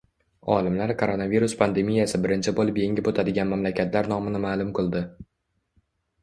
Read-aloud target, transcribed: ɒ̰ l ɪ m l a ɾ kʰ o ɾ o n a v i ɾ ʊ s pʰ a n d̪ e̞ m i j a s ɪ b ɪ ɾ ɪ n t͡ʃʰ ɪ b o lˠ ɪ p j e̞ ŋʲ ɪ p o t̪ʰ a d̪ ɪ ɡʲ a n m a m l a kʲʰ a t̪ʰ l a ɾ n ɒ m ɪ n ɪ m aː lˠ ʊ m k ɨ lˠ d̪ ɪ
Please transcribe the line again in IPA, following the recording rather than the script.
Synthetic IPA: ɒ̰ l ɪ m l a ɾ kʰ o ɾ o n a v i ɾ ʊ s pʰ a n d̪ e̞ m i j a s ɪ b ɪ ɾ ɪ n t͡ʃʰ ɪ b o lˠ ɪ p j e̞ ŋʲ ɪ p o t̪ʰ a d̪ ɪ ɡʲ a n m a m l a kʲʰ a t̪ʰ l a ɾ n ɒ m ɪ n ɪ m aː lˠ ʊ m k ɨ lˠ d̪ ɪ